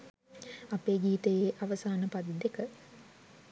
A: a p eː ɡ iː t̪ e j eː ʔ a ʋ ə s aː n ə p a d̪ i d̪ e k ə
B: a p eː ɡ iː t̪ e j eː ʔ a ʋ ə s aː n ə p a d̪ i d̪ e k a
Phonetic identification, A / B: A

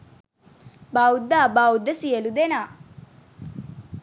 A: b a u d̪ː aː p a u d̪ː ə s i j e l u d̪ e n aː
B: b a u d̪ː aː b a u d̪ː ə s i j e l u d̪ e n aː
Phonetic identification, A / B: B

